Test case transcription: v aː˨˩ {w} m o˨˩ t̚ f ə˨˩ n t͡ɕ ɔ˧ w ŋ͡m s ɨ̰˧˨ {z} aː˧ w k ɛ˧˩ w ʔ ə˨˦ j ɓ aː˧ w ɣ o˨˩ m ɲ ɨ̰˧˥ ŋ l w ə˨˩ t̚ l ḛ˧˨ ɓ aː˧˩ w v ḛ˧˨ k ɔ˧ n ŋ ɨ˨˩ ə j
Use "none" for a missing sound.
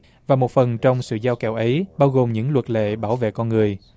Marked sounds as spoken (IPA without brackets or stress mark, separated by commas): none, z